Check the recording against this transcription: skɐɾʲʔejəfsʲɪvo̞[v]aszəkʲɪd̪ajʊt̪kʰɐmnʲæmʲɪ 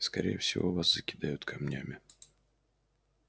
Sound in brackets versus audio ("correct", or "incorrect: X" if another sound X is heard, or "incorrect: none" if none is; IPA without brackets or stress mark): correct